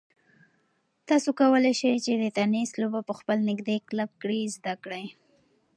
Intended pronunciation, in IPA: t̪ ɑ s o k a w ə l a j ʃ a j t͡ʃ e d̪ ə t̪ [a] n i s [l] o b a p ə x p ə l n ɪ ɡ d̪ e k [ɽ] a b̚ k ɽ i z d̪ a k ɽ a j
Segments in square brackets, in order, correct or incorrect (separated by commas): correct, correct, incorrect